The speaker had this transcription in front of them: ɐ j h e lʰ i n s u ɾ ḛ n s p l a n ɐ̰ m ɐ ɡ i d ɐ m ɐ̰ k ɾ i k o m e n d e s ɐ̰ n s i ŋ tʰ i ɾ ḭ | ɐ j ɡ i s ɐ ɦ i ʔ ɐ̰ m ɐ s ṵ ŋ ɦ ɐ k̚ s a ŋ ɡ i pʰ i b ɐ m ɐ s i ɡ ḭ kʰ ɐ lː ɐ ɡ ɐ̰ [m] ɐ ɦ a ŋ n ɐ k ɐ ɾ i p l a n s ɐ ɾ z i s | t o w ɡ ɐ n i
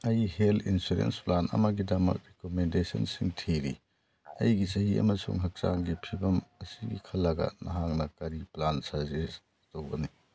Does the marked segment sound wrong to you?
yes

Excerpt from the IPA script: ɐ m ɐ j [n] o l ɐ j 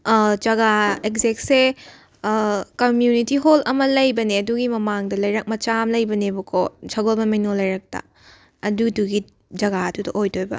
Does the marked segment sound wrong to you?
no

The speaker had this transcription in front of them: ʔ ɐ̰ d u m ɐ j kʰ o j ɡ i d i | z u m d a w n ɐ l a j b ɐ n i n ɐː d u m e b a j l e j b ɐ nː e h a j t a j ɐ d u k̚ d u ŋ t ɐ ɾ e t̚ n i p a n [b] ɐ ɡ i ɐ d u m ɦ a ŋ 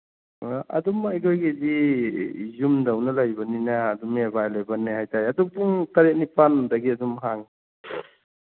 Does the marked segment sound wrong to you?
yes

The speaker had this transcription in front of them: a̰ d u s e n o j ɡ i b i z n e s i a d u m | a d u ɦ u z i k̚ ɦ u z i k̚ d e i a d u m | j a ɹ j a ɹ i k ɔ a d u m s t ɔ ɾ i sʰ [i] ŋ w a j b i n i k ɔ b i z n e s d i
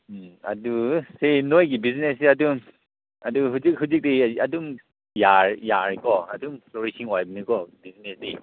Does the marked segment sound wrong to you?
no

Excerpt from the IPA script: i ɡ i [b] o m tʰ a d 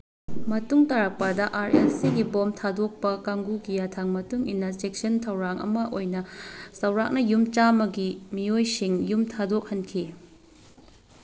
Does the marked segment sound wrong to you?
no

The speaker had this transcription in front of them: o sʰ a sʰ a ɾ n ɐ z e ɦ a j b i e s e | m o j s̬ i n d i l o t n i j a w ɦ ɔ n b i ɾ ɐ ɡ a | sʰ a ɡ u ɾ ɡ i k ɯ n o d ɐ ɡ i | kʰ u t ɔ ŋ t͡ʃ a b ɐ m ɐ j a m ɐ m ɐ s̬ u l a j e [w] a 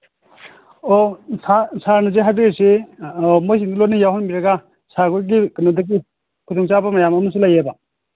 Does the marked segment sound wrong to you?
yes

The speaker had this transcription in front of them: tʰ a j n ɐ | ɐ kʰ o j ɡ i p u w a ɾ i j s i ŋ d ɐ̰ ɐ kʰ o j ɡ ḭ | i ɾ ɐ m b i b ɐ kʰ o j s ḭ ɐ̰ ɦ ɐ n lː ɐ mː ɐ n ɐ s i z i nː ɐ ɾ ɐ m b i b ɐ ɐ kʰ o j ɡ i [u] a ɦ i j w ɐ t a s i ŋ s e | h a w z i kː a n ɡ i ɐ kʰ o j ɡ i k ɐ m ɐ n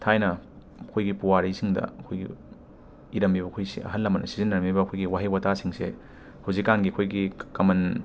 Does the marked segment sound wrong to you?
yes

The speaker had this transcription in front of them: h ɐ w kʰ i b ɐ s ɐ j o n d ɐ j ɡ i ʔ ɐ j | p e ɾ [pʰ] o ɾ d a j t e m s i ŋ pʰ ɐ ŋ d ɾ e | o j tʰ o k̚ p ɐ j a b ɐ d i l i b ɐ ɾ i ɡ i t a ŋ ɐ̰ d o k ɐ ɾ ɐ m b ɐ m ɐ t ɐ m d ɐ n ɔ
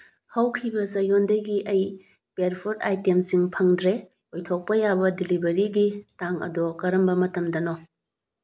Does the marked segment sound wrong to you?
no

